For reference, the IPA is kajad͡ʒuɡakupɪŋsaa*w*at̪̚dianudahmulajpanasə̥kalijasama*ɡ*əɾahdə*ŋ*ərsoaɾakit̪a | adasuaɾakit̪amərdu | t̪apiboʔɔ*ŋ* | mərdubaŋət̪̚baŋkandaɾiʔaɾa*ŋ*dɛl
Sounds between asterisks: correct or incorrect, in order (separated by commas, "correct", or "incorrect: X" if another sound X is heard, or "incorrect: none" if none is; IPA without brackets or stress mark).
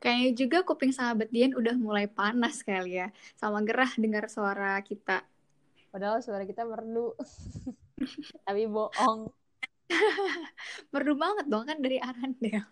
incorrect: b, correct, correct, correct, incorrect: n